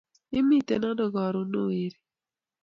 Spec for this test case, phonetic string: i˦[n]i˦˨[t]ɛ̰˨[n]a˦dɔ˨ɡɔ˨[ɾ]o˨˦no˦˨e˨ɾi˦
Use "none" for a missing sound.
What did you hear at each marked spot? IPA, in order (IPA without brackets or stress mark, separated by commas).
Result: m, t, n, ɾ